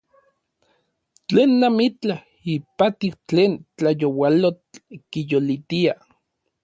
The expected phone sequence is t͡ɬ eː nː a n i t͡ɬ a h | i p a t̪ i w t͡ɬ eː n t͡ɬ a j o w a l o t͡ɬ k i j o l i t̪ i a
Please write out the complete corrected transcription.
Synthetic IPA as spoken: t͡ɬ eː nː a m i t͡ɬ a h | i p a t̪ i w t͡ɬ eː n t͡ɬ a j o w a l o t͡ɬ k i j o l i t̪ i a